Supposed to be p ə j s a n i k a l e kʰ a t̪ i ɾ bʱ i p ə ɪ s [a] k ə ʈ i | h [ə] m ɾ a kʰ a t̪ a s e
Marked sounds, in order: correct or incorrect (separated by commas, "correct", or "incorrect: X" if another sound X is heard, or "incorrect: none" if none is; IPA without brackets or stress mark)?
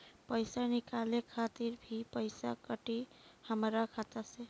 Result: correct, correct